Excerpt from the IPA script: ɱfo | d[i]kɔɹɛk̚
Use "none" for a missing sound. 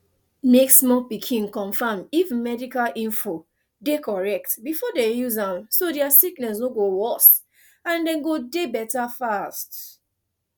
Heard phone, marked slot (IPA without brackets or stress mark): e